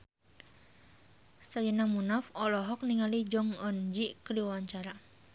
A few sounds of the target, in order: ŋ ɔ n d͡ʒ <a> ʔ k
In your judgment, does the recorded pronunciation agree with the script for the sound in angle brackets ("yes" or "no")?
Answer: no